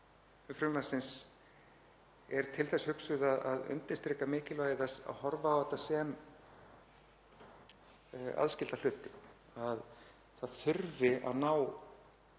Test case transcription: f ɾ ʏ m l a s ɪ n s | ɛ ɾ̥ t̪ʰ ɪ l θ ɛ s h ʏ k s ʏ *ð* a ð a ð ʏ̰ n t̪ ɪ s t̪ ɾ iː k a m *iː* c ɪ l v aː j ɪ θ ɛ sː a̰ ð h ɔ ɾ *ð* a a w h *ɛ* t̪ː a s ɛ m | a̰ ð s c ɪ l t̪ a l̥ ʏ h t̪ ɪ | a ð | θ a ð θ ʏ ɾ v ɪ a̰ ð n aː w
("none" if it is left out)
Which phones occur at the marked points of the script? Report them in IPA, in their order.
ð, ɪː, v, ɛ

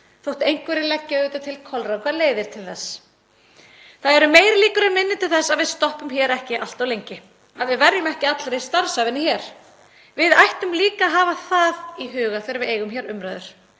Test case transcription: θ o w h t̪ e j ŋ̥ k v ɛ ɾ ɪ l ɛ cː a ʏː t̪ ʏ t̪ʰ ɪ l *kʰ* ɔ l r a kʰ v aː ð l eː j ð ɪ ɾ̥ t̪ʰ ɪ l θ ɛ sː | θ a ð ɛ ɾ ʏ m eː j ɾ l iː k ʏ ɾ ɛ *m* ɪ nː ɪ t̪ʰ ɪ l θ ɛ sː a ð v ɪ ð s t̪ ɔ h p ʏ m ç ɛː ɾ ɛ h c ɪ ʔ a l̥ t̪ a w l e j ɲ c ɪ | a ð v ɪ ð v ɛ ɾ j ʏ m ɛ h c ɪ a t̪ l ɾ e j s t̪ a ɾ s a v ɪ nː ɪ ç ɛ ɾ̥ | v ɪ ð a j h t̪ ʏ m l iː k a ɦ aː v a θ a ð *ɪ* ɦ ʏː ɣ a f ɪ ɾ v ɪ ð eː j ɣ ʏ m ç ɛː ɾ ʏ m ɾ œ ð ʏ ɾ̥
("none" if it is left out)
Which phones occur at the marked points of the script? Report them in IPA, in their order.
kʰ, m, i

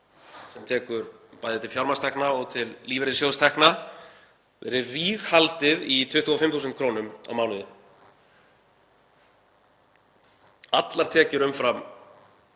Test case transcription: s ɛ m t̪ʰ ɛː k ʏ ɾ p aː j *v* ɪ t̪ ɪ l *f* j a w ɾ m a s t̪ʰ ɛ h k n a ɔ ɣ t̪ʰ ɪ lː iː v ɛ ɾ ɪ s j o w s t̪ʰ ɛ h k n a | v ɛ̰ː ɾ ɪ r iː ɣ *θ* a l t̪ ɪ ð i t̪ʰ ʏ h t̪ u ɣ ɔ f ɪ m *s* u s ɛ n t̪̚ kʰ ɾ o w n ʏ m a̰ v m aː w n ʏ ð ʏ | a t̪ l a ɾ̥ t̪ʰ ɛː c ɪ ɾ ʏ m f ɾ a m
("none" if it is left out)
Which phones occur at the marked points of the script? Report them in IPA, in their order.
ð, f, h, θ

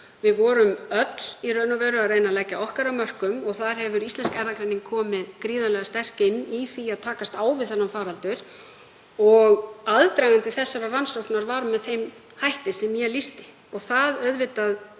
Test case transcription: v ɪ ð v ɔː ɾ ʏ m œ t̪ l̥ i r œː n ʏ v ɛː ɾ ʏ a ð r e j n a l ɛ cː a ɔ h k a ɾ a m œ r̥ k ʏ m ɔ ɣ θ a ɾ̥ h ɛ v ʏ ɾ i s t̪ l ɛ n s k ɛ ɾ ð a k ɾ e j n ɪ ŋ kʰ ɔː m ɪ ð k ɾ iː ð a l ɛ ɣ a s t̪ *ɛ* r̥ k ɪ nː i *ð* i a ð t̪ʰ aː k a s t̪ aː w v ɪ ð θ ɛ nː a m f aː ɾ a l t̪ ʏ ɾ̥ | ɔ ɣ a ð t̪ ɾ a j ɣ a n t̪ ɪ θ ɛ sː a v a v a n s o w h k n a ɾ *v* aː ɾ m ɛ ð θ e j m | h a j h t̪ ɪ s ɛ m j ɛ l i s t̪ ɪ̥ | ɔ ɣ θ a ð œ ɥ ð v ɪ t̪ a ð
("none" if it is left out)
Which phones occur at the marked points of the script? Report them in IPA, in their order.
ɛ, θ, v

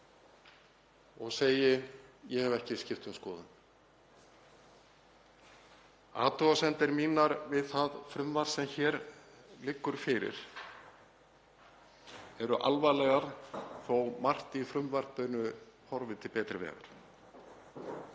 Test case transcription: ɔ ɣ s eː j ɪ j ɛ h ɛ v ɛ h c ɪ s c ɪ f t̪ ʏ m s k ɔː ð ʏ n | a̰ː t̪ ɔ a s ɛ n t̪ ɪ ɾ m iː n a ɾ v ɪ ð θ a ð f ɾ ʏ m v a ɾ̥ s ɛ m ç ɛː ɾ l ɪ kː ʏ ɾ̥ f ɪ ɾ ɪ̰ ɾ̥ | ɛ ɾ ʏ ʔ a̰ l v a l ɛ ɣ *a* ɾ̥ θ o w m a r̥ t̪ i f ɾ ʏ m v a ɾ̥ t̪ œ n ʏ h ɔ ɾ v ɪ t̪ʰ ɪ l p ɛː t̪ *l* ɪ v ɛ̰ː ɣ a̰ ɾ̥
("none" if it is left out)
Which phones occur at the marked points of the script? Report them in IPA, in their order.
a, ɾ

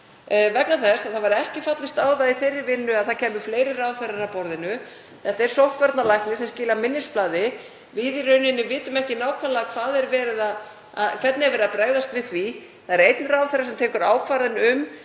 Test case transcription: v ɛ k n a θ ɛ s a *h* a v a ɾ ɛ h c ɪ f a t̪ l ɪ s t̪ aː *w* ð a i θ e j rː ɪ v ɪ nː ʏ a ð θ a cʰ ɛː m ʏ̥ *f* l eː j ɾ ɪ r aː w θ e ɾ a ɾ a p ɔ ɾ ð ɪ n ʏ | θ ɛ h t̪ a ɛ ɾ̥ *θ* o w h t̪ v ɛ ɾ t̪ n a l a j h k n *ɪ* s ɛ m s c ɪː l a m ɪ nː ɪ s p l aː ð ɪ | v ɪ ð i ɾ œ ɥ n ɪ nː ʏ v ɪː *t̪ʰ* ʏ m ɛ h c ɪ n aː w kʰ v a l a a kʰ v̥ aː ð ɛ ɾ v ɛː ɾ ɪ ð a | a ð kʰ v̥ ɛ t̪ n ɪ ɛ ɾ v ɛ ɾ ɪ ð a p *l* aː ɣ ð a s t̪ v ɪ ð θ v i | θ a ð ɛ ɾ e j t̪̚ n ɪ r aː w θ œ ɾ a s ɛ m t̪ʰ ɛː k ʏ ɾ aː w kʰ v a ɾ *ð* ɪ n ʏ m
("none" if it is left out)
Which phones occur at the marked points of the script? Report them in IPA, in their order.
θ, w, f, s, ɪ, t̪, ɾ, ð

